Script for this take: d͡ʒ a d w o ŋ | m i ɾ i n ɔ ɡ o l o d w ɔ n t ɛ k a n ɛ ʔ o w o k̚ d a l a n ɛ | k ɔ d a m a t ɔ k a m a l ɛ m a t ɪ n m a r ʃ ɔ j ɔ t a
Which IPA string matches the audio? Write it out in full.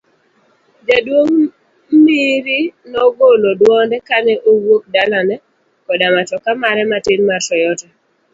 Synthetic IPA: d͡ʒ a d w o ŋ | m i ɾ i n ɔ ɡ o l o d w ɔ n d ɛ k a n ɛ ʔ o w o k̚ d a l a n ɛ | k ɔ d a m a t ɔ k a m a ɾ ɛ m a t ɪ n m a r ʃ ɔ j ɔ t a